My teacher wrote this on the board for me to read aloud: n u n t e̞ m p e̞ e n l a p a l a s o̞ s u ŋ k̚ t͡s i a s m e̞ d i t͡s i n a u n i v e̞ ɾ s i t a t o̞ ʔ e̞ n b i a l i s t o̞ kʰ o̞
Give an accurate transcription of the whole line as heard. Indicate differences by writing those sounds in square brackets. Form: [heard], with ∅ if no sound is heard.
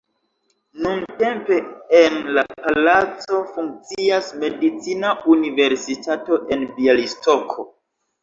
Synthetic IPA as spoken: n u n t e̞ m p e̞ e n l a p a l a [t͡s] o̞ [f] u ŋ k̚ t͡s i a s m e̞ d i t͡s i n a u n i v e̞ ɾ s i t a t o̞ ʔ e̞ n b i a l i s t o̞ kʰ o̞